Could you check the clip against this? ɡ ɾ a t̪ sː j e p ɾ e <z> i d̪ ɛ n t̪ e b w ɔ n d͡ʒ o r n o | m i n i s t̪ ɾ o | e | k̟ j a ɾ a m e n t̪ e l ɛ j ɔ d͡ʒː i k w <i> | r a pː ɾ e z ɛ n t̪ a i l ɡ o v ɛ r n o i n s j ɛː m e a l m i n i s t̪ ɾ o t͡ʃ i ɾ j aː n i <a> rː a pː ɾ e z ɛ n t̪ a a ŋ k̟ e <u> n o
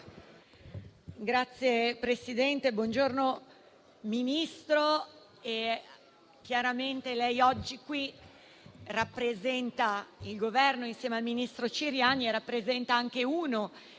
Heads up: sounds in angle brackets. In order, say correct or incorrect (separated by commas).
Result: incorrect, correct, incorrect, incorrect